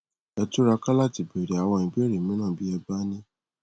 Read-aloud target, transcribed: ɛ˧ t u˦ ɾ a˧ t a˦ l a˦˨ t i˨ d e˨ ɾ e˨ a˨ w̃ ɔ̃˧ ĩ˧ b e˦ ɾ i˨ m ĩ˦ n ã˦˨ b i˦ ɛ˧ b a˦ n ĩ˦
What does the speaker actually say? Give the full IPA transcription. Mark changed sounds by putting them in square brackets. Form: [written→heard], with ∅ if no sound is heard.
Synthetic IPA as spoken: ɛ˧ t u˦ ɾ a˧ [t→k] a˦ l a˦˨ t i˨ [d→b] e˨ ɾ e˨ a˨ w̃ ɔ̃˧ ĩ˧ b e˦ ɾ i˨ m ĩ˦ n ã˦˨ b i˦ ɛ˧ b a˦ n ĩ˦